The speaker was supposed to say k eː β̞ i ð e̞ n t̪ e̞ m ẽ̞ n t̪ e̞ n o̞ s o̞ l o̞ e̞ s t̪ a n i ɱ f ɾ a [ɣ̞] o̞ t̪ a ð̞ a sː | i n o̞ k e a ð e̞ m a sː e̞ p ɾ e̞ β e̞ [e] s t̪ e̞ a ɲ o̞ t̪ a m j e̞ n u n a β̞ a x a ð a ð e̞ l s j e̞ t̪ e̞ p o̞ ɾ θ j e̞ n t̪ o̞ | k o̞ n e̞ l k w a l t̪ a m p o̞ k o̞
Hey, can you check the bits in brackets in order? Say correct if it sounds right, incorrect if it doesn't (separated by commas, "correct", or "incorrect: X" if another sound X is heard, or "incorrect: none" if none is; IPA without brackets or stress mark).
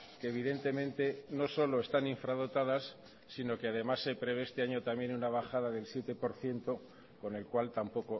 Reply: incorrect: ð̞, correct